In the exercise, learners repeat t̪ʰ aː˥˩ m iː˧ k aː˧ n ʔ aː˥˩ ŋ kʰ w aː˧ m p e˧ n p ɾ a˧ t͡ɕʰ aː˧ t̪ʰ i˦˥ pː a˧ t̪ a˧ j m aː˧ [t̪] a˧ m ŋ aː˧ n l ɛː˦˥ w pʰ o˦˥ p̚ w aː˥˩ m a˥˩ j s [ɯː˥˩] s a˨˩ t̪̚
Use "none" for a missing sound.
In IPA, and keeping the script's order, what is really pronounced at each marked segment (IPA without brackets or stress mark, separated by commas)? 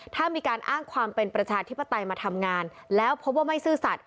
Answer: t̪ʰ, ɯː˥˩